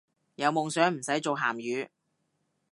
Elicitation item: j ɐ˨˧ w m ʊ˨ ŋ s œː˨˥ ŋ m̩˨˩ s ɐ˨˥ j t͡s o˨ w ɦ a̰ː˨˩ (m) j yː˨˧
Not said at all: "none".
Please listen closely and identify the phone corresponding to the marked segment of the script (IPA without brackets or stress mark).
m